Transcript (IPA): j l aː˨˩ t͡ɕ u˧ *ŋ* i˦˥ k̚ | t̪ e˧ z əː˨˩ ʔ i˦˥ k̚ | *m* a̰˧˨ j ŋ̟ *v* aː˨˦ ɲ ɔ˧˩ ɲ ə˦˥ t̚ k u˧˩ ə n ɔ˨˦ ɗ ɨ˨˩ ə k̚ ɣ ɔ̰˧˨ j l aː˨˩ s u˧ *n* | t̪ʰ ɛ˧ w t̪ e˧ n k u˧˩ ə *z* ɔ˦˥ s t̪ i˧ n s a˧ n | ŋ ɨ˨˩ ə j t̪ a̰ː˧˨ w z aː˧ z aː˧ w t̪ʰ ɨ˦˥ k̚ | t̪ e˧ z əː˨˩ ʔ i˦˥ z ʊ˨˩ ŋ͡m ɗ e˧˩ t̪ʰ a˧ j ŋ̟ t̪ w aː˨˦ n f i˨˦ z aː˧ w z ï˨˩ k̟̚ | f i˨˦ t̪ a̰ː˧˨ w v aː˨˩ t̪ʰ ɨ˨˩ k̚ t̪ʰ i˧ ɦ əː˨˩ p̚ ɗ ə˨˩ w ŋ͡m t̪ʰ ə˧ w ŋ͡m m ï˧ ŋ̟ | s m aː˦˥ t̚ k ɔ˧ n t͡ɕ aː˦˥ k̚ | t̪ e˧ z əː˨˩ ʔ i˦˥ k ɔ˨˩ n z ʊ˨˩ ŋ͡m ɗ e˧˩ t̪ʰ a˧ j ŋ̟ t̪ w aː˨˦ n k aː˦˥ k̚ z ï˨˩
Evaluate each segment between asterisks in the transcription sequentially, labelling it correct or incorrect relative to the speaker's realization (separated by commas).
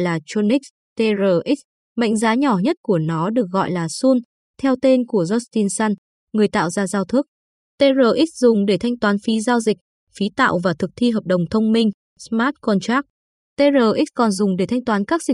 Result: incorrect, correct, incorrect, correct, correct